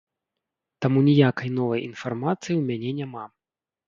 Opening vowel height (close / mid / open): open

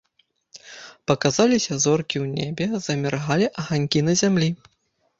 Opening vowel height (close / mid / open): open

